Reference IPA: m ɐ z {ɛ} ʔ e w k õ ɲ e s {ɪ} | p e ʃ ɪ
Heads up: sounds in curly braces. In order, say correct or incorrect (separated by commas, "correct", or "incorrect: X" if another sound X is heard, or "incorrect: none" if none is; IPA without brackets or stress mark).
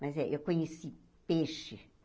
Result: correct, incorrect: i